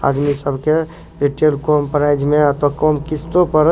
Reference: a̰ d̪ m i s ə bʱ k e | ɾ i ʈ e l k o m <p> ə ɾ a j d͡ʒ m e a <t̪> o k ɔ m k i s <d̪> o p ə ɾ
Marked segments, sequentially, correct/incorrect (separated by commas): correct, correct, incorrect